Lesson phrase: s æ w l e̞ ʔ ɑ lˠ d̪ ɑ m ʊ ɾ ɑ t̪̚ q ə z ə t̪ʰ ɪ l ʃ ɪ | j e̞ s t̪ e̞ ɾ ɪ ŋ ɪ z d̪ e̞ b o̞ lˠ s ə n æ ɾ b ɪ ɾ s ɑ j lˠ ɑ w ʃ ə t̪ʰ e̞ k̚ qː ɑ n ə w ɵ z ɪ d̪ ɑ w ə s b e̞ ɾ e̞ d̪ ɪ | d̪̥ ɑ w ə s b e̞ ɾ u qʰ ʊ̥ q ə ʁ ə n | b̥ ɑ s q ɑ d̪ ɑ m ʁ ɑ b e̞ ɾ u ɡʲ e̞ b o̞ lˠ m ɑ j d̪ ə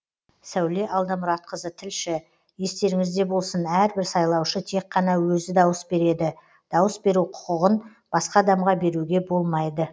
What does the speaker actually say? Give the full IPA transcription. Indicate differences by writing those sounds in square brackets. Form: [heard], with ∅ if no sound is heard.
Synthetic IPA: s æ w l e̞ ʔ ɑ lˠ d̪ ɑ m ʊ ɾ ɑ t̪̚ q ə z ə t̪ʰ ɪ l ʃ ɪ | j e̞ s t̪ e̞ ɾ ɪ ŋ ɪ z d̪ e̞ b o̞ lˠ s ə n æ ɾ b ɪ ɾ s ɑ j lˠ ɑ w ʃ ə t̪ʰ e̞ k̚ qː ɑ n [ɑ] w ɵ z ɪ d̪ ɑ w ə s b e̞ ɾ e̞ d̪ ɪ | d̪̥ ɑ w ə s b e̞ ɾ u qʰ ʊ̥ q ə ʁ ə n | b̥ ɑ s q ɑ d̪ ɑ m ʁ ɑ b e̞ ɾ u ɡʲ e̞ b o̞ lˠ m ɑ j d̪ ə